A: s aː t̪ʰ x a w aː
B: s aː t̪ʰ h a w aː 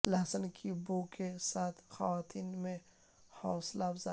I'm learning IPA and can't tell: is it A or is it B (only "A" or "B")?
A